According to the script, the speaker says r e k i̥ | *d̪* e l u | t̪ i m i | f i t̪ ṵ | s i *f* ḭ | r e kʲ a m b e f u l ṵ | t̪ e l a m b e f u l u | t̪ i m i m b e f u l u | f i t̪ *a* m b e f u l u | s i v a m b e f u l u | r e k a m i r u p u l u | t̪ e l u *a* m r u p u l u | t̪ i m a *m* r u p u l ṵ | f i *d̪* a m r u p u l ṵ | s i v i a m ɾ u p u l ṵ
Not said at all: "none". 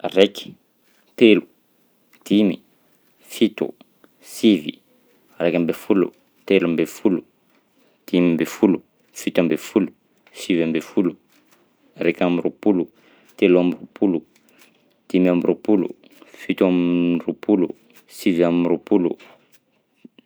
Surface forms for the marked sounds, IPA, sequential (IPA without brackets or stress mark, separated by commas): t̪, v, a, a, m, t̪